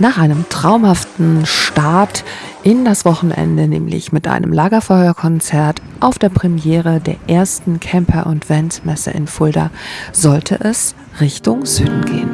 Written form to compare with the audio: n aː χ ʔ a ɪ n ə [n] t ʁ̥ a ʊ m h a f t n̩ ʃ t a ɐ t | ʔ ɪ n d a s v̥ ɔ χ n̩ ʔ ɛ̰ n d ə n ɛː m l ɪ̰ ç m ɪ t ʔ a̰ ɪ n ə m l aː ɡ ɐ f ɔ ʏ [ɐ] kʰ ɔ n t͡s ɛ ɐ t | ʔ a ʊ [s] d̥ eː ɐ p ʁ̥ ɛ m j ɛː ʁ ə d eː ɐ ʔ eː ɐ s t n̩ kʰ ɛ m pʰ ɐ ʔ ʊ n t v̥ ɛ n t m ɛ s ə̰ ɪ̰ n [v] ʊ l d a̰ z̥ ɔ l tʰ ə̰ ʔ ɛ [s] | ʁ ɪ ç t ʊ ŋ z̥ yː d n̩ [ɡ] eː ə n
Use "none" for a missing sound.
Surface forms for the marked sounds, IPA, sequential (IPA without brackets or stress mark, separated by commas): m, ɐ, f, f, s, ɡ